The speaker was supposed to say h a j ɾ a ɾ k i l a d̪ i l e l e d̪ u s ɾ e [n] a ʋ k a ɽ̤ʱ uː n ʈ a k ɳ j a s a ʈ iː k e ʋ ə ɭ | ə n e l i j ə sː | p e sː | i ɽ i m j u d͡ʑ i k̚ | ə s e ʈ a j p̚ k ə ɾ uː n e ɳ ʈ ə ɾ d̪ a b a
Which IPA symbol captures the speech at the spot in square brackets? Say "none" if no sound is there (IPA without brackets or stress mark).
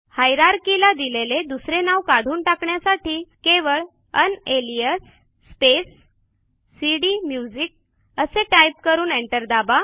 n